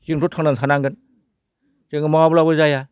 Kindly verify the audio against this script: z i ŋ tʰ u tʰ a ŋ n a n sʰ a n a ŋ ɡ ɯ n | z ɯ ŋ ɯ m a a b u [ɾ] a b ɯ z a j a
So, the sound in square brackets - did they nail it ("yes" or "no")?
no